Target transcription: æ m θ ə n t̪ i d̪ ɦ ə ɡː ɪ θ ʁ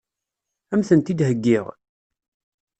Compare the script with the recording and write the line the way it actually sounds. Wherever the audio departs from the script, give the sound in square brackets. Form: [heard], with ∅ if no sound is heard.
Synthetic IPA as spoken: æ m θ ə n t̪ i d̪ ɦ ə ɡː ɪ [∅] ʁ